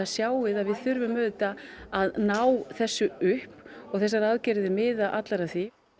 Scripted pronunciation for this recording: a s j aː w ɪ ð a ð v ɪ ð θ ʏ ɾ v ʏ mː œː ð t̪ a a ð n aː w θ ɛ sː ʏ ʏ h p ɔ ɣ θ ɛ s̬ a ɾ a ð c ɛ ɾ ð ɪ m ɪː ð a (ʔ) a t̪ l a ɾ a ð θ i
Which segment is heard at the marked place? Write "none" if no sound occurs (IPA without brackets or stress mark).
ʔ